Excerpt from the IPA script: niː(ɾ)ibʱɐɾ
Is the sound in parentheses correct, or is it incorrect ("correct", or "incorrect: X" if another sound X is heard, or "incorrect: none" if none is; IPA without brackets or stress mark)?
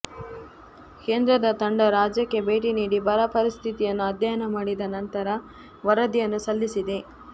incorrect: ɽ